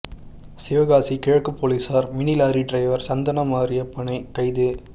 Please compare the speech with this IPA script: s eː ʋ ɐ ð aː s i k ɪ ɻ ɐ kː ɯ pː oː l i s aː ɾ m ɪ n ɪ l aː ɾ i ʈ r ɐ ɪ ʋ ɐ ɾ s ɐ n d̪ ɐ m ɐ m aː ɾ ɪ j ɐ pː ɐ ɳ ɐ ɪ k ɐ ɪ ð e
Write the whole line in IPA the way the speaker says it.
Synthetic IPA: s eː ʋ ɐ ɣ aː s i k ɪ ɻ ɐ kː ɯ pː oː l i s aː ɾ m ɪ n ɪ l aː ɾ i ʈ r ɐ ɪ ʋ ɐ ɾ s ɐ n d̪ ɐ n ɐ m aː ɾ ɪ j ɐ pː ɐ ɳ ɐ ɪ k ɐ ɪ ð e

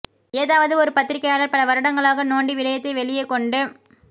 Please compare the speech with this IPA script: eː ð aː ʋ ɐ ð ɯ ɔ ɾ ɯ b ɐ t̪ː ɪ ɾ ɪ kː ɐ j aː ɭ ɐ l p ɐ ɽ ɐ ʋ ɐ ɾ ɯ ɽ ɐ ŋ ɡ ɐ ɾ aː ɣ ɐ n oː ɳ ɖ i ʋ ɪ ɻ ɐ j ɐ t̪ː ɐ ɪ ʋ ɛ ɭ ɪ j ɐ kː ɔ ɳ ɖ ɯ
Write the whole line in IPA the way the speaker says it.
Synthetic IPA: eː ð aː ʋ ɐ ð ɯ ɔ ɾ ɯ p ɐ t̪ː ɪ ɾ ɪ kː ɐ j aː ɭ ɐ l p ɐ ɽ ɐ ʋ ɐ ɾ ɯ ɽ ɐ ŋ ɡ ɐ ɭ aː ɣ ɐ n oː ɳ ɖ i ʋ ɪ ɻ ɐ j ɐ t̪ː ɐ ɪ ʋ ɛ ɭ ɪ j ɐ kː ɔ ɳ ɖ ɯ

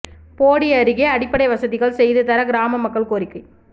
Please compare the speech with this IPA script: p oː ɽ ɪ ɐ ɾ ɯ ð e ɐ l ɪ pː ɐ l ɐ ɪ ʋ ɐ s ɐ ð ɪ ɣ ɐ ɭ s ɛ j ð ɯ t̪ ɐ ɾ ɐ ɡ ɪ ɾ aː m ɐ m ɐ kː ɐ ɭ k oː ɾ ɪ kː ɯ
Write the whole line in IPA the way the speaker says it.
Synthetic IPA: p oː ɽ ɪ ɐ ɾ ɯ ɣ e ɐ ɽ ɪ pː ɐ ɽ ɐ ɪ ʋ ɐ s ɐ ð ɪ ɣ ɐ ɭ s ɛ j ð ɯ t̪ ɐ ɾ ɐ ɡ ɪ ɾ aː m ɐ m ɐ kː ɐ ɭ k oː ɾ ɪ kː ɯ

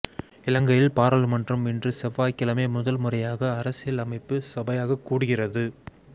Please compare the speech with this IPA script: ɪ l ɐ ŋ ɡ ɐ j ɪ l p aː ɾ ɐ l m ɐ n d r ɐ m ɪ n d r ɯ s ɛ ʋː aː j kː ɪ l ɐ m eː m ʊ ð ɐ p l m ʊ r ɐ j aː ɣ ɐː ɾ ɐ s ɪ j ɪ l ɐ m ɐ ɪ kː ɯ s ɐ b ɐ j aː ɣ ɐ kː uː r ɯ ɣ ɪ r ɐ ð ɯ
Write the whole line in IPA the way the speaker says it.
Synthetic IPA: ɪ l ɐ ŋ ɡ ɐ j ɪ l p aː ɾ ɐ l m ɐ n d r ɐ m ɪ n d r ɯ s ɛ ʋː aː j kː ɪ l ɐ m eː m ʊ ð ɐ l m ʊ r ɐ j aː ɣ ɐː ɾ ɐ s ɪ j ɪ l ɐ m ɐ ɪ pː ɯ s ɐ b ɐ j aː ɣ ɐ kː uː ɽ ɯ ɣ ɪ r ɐ ð ɯ

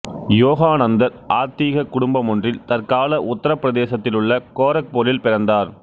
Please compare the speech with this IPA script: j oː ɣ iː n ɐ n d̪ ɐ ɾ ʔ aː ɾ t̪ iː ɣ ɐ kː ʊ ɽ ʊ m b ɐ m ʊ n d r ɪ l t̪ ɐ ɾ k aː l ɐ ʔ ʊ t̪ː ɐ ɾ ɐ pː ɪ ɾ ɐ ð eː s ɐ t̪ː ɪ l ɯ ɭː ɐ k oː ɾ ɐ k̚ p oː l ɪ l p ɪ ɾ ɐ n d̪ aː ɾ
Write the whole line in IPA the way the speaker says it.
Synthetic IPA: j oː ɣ aː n ɐ n d̪ ɐ ɾ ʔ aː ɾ t̪ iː ɣ ɐ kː ʊ ɽ ʊ m b ɐ m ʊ n d r ɪ l t̪ ɐ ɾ k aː l ɐ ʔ ʊ t̪ː ɐ ɾ ɐ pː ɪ ɾ ɐ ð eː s ɐ t̪ː ɪ l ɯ ɭː ɐ k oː ɾ ɐ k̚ p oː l ɪ l p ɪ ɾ ɐ n d̪ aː ɾ

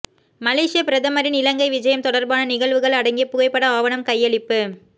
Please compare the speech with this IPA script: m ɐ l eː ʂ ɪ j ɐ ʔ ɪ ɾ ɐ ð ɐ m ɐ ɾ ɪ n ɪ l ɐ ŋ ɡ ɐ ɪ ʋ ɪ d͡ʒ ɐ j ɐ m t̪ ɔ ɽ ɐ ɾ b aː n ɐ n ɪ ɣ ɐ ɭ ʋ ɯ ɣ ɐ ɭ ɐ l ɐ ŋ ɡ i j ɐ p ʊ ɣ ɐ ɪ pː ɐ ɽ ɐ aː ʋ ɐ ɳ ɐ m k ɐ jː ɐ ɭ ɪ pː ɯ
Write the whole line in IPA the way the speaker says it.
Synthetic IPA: m ɐ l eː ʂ ɪ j ɐ p ɪ ɾ ɐ ð ɐ m ɐ ɾ ɪ n ɪ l ɐ ŋ ɡ ɐ ɪ ʋ ɪ d͡ʒ ɐ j ɐ m t̪ ɔ ɽ ɐ ɾ b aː n ɐ n ɪ ɣ ɐ ɭ ʋ ɯ ɣ ɐ ɭ ɐ ɽ ɐ ŋ ɡ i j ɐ p ʊ ɣ ɐ ɪ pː ɐ ɽ ɐ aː ʋ ɐ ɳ ɐ m k ɐ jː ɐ ɭ ɪ pː ɯ

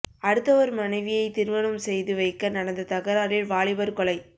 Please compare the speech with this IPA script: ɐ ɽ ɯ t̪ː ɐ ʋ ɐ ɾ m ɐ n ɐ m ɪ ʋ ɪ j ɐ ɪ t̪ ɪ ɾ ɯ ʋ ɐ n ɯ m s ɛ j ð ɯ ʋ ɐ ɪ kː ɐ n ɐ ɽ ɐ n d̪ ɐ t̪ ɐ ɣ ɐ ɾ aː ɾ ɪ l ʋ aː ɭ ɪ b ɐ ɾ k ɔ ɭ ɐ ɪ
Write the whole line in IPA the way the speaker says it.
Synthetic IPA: ɐ ɽ ɯ t̪ː ɐ ʋ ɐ ɾ m ɐ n ɐ ɪ ʋ ɪ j ɐ ɪ t̪ ɪ ɾ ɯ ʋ ɐ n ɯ m s ɛ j ð ɯ ʋ ɐ ɪ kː ɐ n ɐ ɽ ɐ n d̪ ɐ t̪ ɐ ɣ ɐ ɾ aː ɾ ɪ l ʋ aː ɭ ɪ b ɐ ɾ k ɔ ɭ ɐ ɪ

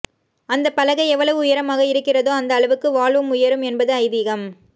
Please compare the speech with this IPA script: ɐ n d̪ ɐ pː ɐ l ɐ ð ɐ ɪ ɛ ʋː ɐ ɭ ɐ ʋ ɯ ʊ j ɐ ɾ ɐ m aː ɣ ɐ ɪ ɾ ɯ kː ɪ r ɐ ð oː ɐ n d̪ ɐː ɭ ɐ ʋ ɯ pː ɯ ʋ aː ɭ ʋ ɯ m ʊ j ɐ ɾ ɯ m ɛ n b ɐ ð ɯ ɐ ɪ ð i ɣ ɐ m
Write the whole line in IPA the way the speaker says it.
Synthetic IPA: ɐ n d̪ ɐ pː ɐ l ɐ ɣ ɐ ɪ ɛ ʋː ɐ ɭ ɐ ʋ ɯ ʊ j ɐ ɾ ɐ m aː ɣ ɐ ɪ ɾ ɯ kː ɪ r ɐ ð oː ɐ n d̪ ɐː ɭ ɐ ʋ ɯ kː ɯ ʋ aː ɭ ʋ ɯ m ʊ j ɐ ɾ ɯ m ɛ n b ɐ ð ɯ ɐ ɪ ð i ɣ ɐ m

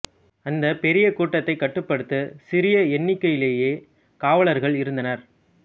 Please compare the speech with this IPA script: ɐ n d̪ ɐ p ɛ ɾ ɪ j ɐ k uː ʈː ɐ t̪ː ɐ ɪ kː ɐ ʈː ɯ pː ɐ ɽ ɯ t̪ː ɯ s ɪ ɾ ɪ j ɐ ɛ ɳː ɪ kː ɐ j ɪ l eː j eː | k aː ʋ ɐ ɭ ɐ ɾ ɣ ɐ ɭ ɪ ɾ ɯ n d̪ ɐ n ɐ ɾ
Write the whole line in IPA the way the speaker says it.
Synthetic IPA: ɐ n d̪ ɐ p ɛ ɾ ɪ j ɐ k uː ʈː ɐ t̪ː ɐ ɪ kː ɐ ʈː ɯ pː ɐ ɽ ɯ t̪ː ɯ s ɪ ɾ ɪ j ɐ ɛ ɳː ɪ kː ɐ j ɪ l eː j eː | k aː ʋ ɐ ɭ ɐ ɾ ɣ ɐ ɭ ɪ ɾ ɯ n d̪ ɐ n ɐ ɾ

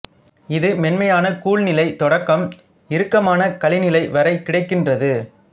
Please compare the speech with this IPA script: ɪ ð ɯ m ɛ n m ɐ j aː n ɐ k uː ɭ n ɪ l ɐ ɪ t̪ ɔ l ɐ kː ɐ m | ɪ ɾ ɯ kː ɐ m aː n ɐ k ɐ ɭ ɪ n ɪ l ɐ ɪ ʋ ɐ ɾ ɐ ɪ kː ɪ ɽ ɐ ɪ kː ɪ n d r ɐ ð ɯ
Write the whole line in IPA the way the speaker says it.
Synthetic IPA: ɪ ð ɯ m ɛ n m ɐ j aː n ɐ k uː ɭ n ɪ l ɐ ɪ t̪ ɔ ɽ ɐ kː ɐ m | ɪ ɾ ɯ kː ɐ m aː n ɐ k ɐ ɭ ɪ n ɪ l ɐ ɪ ʋ ɐ ɾ ɐ ɪ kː ɪ ɽ ɐ ɪ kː ɪ n d r ɐ ð ɯ

